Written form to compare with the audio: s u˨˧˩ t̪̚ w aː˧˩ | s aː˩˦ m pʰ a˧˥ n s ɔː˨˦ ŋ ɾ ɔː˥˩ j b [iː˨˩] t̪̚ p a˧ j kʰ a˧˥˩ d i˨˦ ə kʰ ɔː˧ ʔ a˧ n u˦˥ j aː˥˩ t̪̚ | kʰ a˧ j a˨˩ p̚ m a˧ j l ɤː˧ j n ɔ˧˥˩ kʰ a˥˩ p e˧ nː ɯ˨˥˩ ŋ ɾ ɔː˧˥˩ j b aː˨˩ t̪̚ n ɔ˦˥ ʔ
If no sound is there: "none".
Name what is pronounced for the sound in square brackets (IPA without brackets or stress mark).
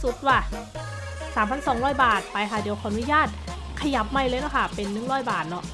aː˨˩